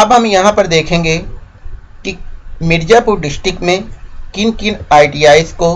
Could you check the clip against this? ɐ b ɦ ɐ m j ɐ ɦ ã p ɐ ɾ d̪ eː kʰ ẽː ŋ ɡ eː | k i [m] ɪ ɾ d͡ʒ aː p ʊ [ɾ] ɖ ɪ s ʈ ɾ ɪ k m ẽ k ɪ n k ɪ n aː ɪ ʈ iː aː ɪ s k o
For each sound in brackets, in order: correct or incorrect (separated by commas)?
correct, correct